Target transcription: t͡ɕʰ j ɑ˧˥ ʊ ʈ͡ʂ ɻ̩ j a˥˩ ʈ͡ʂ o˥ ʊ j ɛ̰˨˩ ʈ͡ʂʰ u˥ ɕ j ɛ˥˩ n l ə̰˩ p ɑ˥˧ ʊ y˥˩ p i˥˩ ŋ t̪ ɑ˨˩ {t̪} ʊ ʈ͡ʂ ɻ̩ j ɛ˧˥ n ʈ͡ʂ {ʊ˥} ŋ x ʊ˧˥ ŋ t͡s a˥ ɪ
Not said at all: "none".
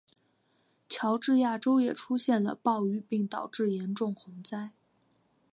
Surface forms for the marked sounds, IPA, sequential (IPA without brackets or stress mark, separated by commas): none, ʊ˥˩